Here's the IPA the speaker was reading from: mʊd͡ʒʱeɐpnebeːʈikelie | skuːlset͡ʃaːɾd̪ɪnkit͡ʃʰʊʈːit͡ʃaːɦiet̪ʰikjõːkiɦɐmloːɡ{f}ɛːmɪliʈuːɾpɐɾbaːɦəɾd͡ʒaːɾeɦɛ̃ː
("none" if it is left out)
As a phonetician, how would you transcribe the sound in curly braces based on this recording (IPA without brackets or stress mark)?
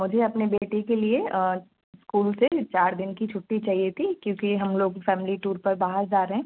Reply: f